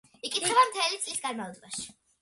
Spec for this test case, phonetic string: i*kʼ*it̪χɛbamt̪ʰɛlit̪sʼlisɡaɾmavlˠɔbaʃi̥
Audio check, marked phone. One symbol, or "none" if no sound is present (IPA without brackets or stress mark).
kʼ